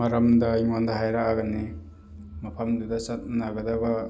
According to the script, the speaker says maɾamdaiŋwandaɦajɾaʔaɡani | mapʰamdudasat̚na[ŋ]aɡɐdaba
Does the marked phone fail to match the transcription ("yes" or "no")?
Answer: yes